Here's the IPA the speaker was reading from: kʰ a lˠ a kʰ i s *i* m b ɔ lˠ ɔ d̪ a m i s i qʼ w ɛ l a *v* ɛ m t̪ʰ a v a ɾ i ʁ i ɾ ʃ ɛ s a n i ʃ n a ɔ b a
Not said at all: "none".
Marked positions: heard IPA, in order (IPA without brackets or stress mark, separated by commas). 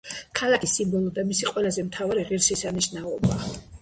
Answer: i, z